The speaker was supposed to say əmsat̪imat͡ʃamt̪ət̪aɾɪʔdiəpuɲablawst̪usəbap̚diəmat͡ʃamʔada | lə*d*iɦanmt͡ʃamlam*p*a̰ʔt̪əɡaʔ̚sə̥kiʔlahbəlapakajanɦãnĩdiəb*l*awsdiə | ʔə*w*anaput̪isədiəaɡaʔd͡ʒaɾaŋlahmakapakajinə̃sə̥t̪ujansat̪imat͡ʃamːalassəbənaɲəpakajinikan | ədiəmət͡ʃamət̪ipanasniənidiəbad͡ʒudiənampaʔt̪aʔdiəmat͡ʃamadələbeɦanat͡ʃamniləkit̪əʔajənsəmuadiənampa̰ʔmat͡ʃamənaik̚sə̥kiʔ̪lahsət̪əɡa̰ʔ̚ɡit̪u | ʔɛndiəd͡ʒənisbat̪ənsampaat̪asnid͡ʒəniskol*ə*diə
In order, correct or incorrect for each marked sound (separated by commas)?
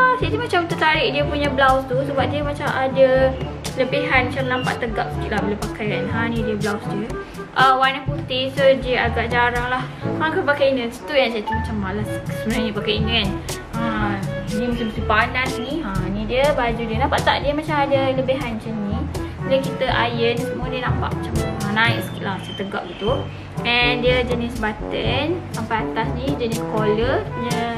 incorrect, correct, correct, correct, correct